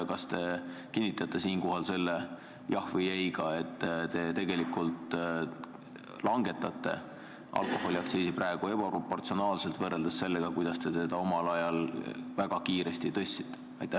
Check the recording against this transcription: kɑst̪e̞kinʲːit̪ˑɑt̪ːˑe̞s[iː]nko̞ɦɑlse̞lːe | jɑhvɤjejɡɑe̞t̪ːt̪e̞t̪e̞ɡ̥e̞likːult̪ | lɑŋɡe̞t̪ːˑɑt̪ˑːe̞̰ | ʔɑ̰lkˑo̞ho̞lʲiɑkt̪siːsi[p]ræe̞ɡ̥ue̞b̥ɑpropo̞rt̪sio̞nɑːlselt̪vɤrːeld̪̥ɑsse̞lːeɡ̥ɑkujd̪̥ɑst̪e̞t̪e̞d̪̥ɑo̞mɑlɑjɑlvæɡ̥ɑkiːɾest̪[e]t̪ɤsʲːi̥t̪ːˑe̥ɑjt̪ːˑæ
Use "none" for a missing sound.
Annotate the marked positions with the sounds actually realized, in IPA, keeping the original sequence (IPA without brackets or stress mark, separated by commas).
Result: iː, p, i